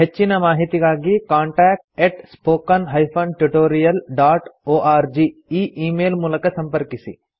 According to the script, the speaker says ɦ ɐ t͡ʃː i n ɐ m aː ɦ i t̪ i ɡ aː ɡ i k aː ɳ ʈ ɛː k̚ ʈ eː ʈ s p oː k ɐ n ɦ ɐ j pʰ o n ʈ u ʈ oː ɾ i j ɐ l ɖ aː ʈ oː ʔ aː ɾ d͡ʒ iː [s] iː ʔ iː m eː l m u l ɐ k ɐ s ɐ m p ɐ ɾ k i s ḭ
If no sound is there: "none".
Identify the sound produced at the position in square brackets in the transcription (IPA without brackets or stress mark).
none